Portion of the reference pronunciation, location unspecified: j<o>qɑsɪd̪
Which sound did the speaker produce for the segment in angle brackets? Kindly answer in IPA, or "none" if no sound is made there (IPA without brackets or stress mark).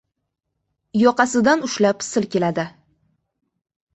ɒ